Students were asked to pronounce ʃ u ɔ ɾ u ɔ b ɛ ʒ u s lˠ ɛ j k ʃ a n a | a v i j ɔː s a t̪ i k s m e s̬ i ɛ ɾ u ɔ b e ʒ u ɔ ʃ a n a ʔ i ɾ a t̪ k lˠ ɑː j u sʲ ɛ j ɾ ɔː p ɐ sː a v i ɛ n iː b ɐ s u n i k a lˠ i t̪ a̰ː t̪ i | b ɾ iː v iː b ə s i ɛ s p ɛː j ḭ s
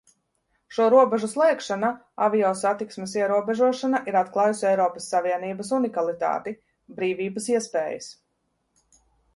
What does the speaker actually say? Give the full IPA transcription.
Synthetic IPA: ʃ u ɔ ɾ u ɔ b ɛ ʒ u s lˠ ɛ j k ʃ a n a | a v i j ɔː s a t̪ i k s m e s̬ i ɛ ɾ u ɔ b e ʒ u ɔ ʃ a n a ʔ i ɾ a t̪ k lˠ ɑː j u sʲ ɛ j ɾ ɔː p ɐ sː a v i ɛ n iː b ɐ s u n i k a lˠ i t̪ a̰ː t̪ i | b ɾ iː v iː b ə s i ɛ s p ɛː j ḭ s